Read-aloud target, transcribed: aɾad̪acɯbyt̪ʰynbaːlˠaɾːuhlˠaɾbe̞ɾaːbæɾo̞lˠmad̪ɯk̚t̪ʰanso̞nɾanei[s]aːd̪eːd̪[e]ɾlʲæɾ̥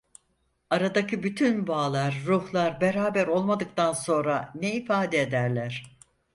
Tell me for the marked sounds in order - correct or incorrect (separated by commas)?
incorrect, incorrect